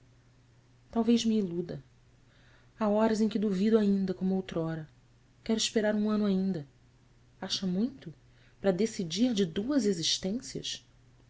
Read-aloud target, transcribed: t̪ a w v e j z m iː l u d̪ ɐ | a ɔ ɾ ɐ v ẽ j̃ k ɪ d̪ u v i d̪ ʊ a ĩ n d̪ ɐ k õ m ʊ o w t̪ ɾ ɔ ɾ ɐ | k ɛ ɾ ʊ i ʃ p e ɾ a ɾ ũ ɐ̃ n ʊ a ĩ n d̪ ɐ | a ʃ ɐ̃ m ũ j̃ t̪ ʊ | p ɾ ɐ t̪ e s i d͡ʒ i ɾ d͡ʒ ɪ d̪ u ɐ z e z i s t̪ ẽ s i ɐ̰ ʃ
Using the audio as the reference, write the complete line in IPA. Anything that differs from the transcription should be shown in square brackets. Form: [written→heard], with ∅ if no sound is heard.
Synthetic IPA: t̪ a w v e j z m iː l u d̪ ɐ | a ɔ ɾ ɐ [v→z] ẽ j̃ k ɪ d̪ u v i d̪ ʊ a ĩ n d̪ ɐ k õ m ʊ o w t̪ ɾ ɔ ɾ ɐ | k ɛ ɾ ʊ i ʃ p e ɾ a ɾ ũ ɐ̃ n ʊ a ĩ n d̪ ɐ | a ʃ [ɐ̃→ɐ] m ũ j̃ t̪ ʊ | p ɾ ɐ [t̪→d̪] e s i d͡ʒ i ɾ d͡ʒ ɪ d̪ u ɐ z e z i [s→ʃ] t̪ ẽ s i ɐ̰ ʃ